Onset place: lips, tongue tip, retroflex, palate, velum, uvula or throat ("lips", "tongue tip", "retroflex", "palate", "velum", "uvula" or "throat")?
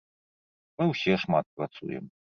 lips